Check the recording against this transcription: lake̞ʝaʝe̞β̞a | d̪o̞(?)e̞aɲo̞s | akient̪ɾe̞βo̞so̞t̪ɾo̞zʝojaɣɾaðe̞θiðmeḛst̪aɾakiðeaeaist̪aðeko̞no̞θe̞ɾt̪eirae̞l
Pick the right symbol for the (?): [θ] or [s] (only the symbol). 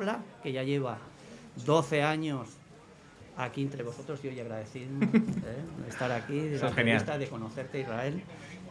θ